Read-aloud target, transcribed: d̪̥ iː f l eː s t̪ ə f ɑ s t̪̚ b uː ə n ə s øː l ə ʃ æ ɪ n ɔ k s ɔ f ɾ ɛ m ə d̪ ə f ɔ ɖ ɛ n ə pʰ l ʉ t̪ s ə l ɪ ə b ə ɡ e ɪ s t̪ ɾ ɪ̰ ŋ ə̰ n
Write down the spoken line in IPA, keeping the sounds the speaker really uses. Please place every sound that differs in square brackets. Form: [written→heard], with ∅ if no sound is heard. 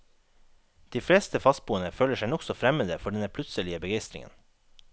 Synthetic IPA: d̪̥ iː f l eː s t̪ ə f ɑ s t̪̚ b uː ə n ə [s→f] øː l ə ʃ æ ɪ n ɔ k s ɔ f ɾ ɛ m ə d̪ ə f ɔ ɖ ɛ n ə pʰ l ʉ t̪ s ə l ɪ ə b ə ɡ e ɪ s t̪ ɾ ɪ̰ ŋ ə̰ n